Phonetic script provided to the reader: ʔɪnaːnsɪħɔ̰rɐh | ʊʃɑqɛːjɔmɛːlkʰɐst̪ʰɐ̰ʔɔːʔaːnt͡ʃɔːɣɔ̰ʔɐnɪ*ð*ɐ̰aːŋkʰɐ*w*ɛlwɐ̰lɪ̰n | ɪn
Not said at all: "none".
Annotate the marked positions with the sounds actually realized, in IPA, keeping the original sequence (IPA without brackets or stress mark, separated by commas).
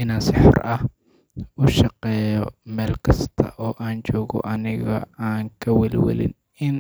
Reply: ɣ, w